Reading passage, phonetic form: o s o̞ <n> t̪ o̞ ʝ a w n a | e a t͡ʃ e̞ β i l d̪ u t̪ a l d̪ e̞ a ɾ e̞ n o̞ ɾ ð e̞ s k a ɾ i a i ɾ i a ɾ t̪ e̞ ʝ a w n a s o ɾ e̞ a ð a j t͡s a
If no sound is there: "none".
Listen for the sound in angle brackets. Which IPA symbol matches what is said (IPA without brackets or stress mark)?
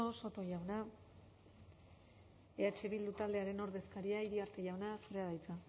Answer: none